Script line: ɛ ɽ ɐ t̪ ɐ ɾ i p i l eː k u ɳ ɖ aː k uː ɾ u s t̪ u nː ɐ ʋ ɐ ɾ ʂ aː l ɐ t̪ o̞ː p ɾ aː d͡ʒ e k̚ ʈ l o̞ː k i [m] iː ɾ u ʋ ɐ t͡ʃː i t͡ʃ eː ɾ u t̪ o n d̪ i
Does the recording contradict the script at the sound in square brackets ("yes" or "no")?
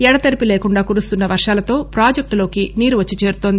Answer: yes